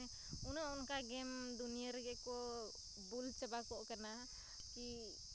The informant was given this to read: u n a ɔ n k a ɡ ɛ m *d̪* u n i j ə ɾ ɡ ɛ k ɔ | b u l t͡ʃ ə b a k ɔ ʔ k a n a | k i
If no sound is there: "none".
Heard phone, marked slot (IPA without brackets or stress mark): d̪